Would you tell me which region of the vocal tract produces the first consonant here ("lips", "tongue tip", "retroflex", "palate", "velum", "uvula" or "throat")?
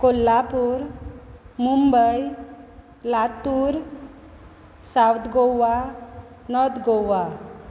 velum